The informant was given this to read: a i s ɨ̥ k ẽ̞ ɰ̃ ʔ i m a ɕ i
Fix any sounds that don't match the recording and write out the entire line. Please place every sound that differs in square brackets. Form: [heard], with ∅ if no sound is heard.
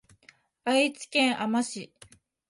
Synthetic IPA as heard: a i [t͡s] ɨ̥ k ẽ̞ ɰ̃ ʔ [a] m a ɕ i